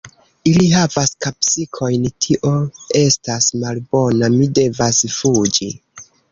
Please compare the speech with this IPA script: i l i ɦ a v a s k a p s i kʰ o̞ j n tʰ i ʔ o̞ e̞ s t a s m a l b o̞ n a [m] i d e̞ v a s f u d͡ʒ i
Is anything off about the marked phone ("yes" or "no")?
no